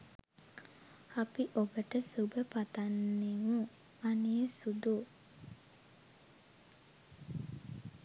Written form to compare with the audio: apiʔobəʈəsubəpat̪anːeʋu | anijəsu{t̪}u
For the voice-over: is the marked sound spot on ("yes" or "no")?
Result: no